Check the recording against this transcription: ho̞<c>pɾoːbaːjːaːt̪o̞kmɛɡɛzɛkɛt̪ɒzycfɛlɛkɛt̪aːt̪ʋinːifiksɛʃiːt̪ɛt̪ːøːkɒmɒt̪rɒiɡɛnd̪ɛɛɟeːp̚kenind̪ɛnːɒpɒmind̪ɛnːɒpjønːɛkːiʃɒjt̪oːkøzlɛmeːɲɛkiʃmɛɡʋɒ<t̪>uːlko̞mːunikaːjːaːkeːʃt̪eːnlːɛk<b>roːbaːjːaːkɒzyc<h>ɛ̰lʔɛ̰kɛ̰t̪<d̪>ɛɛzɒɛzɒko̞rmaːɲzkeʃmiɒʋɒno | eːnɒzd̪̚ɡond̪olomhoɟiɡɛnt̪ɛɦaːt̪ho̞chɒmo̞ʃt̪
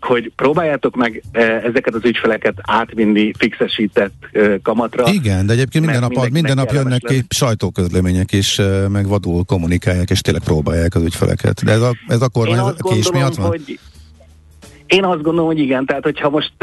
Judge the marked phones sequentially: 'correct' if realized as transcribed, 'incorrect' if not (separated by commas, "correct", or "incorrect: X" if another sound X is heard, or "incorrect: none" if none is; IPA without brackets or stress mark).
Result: incorrect: ɟ, incorrect: d̪, incorrect: p, incorrect: f, correct